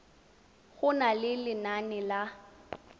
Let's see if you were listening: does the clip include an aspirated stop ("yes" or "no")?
no